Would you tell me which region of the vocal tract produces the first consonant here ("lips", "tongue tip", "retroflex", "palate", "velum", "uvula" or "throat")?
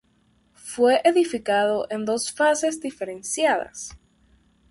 lips